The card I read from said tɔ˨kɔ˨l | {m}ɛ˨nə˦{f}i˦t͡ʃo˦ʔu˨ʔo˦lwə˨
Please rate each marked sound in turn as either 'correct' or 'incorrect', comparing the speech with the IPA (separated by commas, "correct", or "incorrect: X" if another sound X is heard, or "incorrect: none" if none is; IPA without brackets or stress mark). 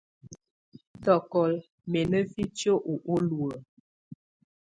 correct, correct